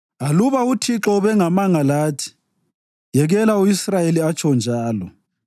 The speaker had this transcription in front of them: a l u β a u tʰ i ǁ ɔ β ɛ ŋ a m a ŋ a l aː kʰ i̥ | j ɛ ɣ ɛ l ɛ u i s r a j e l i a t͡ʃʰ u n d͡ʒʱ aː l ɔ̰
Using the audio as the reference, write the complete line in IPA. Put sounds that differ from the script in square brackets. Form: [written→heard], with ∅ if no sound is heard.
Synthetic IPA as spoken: a l u β a u tʰ i ǁ ɔ β ɛ ŋ a m a ŋ a l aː [kʰ→tʰ] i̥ | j ɛ ɣ ɛ l [ɛ→a] u i s r a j e l i a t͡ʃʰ [u→ɔ] n d͡ʒʱ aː l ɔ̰